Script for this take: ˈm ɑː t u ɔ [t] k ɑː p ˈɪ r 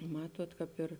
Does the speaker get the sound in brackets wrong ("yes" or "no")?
no